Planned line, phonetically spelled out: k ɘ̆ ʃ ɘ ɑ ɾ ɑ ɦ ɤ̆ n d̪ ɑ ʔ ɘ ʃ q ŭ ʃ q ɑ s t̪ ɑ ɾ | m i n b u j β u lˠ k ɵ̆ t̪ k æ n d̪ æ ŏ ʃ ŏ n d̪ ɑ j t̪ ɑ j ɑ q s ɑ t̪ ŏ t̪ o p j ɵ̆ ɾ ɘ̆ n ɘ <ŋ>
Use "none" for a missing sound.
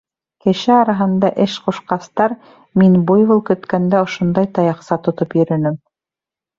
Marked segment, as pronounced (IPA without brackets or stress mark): m